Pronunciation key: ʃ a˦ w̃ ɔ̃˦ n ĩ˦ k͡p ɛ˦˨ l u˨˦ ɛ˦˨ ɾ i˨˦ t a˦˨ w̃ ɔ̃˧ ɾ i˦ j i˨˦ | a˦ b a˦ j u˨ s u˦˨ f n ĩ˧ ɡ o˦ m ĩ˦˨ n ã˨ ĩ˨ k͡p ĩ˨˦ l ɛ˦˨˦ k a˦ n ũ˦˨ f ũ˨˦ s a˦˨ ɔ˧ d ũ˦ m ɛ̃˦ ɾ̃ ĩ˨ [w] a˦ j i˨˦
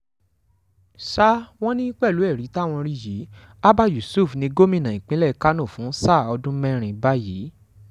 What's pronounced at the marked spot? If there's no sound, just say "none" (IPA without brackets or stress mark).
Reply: b